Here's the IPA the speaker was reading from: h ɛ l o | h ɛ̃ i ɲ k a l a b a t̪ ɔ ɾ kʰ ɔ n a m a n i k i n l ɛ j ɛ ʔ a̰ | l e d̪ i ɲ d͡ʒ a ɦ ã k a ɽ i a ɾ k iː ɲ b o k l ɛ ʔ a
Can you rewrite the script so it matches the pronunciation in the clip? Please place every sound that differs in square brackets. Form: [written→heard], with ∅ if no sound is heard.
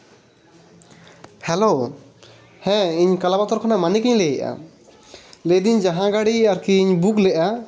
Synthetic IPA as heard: h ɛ l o | h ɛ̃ i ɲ k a l a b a t̪ ɔ ɾ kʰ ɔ n a m a n i k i [n→ɲ] l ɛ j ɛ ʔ a̰ | l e d̪ i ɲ d͡ʒ a ɦ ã [k→ɡ] a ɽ i a ɾ k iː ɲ b [o→u] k l ɛ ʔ a